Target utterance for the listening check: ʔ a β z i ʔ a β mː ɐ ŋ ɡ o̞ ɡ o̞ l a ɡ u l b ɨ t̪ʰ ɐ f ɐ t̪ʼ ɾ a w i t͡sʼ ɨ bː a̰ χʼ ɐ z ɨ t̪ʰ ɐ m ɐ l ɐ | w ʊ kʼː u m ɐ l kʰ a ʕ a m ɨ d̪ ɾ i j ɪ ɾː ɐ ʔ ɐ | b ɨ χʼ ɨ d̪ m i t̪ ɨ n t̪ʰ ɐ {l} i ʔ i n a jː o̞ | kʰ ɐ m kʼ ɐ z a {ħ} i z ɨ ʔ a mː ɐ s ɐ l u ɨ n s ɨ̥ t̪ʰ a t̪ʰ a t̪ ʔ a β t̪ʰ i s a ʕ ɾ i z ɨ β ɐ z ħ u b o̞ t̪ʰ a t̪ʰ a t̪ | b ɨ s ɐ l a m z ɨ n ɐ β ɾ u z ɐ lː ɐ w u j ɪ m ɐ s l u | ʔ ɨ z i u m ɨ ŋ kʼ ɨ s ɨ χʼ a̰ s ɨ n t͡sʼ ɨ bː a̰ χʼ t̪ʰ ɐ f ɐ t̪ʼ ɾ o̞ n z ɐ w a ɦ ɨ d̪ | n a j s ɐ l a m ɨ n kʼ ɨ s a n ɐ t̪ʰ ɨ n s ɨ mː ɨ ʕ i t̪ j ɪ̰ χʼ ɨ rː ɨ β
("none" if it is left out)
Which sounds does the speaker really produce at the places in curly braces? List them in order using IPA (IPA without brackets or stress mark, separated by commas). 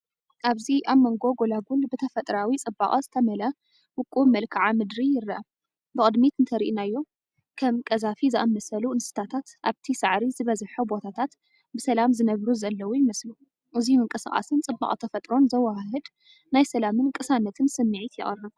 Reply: ɾ, f